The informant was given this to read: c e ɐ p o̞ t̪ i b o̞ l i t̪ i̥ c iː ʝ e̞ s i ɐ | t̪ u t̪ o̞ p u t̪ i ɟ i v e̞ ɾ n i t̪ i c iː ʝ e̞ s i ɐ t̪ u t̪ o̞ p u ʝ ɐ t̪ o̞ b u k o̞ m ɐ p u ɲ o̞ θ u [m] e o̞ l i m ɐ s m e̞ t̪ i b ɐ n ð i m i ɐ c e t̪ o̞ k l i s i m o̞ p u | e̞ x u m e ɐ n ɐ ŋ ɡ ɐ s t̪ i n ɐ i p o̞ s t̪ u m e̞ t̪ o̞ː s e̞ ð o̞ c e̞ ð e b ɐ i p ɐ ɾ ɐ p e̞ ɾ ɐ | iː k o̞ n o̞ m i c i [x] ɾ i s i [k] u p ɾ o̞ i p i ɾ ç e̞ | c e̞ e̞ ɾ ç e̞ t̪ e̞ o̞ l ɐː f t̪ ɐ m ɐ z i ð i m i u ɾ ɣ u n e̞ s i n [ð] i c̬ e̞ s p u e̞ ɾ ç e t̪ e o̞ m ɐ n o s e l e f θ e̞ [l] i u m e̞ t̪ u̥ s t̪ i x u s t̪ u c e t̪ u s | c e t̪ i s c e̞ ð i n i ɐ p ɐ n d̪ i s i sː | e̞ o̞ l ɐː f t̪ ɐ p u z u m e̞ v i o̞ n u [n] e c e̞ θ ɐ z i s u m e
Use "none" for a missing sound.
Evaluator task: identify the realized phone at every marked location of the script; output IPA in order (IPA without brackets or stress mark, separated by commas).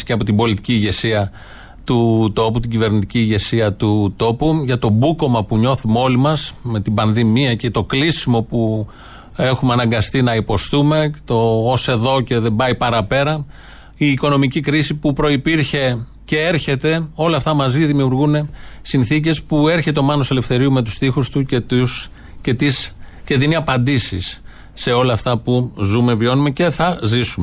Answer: m, k, p, θ, ɾ, m